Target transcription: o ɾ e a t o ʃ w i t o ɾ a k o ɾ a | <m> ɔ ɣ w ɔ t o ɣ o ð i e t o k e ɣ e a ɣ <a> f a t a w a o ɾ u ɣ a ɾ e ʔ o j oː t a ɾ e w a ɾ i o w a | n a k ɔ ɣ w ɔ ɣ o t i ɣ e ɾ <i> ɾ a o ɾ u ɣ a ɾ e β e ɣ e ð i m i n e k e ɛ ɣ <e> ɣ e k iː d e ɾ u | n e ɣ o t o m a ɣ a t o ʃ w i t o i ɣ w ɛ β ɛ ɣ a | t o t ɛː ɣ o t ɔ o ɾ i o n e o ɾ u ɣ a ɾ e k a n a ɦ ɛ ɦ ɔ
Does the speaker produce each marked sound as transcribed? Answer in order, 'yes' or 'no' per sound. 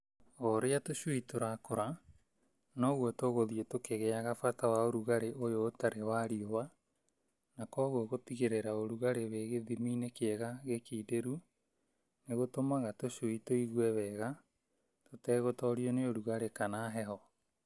no, yes, no, no

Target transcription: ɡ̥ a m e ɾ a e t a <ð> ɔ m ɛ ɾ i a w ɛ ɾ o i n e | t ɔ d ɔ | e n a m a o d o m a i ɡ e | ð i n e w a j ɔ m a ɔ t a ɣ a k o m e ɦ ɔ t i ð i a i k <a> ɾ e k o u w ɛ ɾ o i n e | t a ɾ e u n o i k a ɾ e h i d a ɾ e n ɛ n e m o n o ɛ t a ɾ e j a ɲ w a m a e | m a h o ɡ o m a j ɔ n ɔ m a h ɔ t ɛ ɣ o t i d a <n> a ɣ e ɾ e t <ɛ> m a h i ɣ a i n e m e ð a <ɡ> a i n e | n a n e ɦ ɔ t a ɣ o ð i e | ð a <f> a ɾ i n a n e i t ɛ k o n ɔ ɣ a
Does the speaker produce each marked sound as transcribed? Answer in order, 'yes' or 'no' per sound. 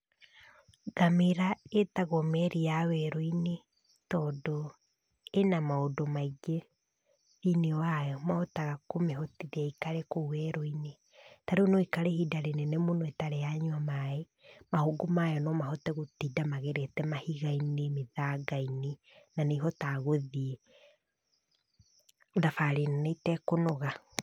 no, yes, no, yes, yes, yes

